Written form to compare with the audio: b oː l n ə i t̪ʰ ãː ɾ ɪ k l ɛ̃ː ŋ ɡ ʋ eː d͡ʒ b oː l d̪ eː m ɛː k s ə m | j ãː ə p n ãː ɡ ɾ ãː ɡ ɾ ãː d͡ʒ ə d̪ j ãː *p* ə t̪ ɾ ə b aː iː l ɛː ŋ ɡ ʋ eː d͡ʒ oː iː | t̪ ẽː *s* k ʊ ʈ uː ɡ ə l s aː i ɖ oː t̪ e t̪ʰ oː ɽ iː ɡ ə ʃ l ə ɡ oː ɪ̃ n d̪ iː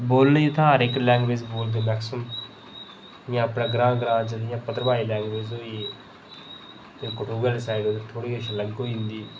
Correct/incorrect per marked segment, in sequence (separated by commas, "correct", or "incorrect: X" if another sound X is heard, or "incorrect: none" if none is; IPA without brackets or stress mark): correct, incorrect: none